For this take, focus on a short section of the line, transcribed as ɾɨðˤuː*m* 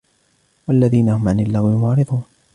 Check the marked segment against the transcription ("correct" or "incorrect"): incorrect